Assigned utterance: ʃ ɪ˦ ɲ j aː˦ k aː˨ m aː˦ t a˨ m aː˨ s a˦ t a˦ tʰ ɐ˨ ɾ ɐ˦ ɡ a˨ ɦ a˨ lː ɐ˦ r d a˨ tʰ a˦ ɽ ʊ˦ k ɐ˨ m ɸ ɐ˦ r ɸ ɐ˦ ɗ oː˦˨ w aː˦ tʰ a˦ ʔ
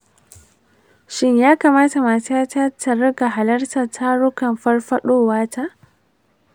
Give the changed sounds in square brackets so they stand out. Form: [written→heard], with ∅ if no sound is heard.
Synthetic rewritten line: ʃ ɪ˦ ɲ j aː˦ k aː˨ m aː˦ t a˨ m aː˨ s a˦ t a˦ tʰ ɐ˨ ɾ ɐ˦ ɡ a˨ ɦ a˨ [lː→l] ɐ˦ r [d→t] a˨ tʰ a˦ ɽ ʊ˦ k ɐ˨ m ɸ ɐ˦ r ɸ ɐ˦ ɗ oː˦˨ w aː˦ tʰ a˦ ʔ